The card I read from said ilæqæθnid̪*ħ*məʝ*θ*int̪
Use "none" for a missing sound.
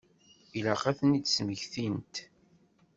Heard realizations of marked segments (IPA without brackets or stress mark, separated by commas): s, θ